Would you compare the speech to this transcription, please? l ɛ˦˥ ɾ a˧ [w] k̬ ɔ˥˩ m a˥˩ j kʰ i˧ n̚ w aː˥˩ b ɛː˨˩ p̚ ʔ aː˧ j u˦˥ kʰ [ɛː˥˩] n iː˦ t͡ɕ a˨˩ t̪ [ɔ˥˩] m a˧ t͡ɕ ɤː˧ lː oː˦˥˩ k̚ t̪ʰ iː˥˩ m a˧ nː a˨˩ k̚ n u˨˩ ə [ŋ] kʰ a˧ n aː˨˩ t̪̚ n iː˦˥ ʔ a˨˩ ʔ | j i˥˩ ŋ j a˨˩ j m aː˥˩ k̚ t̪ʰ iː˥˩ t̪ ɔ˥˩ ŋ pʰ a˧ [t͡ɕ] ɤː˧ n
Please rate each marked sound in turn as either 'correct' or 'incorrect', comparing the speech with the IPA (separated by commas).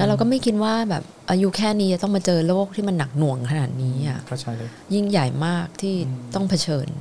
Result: correct, correct, correct, correct, incorrect